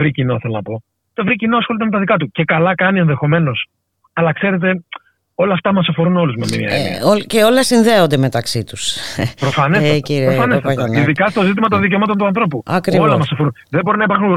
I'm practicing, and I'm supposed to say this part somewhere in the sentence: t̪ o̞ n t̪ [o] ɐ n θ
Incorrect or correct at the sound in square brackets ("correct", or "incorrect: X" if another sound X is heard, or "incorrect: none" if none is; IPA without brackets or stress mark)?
incorrect: u